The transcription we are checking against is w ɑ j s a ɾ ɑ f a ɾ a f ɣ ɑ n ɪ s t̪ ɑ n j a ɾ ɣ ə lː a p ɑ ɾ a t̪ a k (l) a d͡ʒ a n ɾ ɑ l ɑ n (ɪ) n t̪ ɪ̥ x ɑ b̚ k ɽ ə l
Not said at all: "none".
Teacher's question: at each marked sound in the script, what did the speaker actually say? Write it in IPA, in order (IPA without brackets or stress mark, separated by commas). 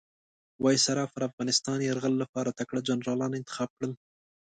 ɽ, ɪ